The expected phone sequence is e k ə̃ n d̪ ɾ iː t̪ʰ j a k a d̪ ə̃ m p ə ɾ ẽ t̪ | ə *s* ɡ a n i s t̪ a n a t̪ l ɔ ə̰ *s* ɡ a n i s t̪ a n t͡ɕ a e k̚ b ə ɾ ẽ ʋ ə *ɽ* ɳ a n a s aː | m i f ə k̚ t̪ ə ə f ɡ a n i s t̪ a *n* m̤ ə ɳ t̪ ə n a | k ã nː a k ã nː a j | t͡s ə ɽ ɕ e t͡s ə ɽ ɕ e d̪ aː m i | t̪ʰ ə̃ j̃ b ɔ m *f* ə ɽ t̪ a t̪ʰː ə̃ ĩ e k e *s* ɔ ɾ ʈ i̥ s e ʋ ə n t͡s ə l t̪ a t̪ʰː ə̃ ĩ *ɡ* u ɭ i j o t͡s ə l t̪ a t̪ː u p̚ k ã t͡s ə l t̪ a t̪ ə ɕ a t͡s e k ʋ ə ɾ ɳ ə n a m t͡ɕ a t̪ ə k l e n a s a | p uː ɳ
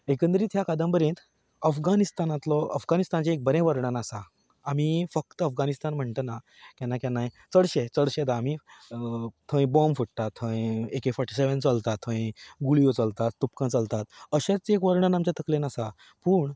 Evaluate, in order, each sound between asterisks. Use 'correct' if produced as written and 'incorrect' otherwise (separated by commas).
incorrect, incorrect, incorrect, correct, correct, incorrect, correct